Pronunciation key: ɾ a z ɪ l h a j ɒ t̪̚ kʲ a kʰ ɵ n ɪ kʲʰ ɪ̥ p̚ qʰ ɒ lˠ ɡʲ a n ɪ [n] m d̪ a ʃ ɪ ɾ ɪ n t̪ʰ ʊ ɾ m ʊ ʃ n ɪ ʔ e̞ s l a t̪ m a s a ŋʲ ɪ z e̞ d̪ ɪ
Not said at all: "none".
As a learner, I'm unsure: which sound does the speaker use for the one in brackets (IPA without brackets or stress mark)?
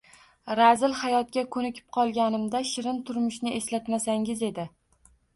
none